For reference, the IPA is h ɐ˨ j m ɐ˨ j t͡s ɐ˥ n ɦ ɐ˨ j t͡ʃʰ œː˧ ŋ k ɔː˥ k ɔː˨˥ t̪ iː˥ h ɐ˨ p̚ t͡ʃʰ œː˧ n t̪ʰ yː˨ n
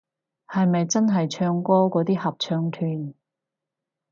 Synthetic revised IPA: h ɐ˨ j m ɐ˨ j t͡s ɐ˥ n ɦ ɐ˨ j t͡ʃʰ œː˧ ŋ k ɔː˥ k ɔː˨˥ t̪ iː˥ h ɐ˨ p̚ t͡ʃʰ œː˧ ŋ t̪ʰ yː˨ n

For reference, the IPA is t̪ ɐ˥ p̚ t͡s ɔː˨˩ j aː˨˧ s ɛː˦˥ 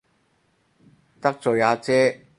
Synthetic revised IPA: t̪ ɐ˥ k̚ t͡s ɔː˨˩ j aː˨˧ t͡s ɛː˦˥

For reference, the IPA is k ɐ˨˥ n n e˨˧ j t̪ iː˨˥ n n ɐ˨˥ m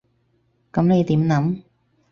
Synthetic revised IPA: k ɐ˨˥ m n e˨˧ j t̪ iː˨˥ m n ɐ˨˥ m

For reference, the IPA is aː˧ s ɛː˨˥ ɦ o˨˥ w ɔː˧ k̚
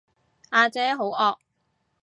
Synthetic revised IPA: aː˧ t͡s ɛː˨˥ ɦ o˨˥ w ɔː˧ k̚

